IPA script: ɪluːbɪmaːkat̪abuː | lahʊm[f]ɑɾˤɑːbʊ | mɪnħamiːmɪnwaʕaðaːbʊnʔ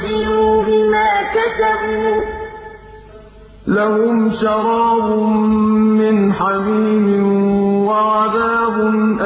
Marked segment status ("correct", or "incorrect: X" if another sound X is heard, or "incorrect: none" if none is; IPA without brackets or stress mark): incorrect: ʃ